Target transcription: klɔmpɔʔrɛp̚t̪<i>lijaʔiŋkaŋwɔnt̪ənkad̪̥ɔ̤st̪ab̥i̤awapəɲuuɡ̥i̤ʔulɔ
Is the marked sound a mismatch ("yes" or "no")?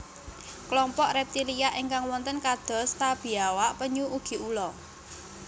no